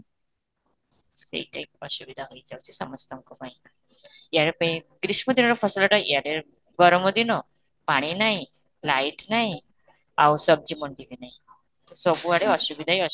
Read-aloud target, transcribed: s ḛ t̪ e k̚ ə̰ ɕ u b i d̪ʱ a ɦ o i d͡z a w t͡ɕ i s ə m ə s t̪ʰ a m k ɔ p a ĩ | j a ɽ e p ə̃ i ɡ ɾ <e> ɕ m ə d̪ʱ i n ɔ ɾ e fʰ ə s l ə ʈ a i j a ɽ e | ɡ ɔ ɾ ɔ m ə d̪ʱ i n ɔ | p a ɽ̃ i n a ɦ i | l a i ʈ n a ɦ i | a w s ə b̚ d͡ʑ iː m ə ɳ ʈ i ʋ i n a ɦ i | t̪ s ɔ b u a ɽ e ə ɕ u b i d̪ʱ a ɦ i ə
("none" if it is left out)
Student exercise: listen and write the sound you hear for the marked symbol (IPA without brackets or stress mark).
i